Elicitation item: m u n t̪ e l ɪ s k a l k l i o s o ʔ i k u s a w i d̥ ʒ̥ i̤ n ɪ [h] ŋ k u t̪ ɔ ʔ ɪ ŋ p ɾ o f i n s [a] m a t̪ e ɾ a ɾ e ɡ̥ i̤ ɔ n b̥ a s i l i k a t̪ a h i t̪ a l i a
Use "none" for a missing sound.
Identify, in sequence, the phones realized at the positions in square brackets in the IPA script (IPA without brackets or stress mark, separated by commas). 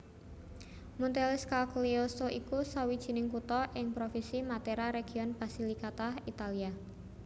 none, i